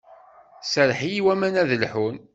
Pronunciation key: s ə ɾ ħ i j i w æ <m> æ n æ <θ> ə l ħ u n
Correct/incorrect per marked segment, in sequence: correct, incorrect

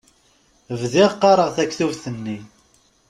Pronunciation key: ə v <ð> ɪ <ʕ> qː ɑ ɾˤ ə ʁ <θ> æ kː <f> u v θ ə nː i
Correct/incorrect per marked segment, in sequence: correct, incorrect, correct, incorrect

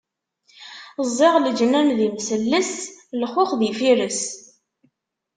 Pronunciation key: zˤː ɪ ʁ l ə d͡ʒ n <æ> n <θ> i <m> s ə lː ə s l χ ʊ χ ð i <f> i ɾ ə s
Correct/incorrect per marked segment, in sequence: correct, incorrect, correct, correct

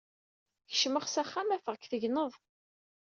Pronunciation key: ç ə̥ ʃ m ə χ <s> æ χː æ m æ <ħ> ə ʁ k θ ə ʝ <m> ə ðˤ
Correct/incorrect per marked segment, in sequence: correct, incorrect, incorrect

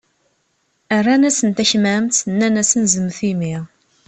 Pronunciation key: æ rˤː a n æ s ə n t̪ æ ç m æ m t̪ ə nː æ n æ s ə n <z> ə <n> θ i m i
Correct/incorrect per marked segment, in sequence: correct, incorrect

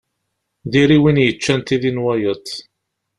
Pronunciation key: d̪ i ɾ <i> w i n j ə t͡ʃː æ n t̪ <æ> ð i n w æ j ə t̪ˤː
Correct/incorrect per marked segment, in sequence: correct, incorrect

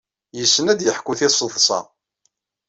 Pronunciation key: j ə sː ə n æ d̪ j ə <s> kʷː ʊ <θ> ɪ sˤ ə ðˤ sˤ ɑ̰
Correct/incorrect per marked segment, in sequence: incorrect, correct

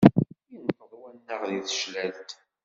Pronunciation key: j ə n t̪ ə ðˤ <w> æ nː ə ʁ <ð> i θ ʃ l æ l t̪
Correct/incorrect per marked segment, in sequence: correct, correct

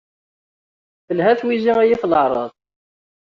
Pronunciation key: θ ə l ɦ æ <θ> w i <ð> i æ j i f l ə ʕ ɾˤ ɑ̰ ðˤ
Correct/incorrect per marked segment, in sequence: correct, incorrect

